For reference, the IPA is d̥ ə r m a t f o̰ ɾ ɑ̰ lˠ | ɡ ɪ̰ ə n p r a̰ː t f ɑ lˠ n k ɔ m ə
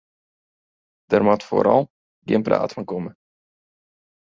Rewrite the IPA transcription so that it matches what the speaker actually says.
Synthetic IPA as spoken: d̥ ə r m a t f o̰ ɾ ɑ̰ lˠ | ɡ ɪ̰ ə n p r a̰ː t f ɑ n k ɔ m ə